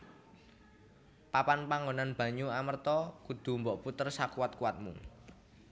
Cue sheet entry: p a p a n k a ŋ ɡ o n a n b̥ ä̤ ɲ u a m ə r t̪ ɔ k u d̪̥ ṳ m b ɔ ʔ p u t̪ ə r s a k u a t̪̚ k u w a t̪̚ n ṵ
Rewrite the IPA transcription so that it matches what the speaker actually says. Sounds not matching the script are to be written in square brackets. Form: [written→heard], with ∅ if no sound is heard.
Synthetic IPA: p a p a n [k→p] a ŋ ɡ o n a n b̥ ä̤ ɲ u a m ə r t̪ ɔ k u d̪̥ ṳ m b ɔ ʔ p u t̪ ə r s a k u a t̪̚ k u w a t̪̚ [n→m] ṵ